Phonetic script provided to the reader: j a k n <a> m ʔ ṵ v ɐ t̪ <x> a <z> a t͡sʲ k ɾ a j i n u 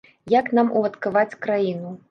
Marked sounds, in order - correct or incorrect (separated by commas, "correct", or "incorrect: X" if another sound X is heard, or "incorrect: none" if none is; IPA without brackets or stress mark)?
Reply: correct, incorrect: k, incorrect: v